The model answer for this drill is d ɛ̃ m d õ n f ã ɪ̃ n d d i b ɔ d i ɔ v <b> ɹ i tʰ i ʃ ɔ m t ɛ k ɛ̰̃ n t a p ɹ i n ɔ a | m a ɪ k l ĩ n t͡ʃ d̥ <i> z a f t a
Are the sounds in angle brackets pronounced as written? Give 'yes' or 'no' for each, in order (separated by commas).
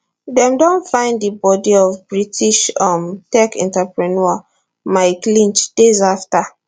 yes, no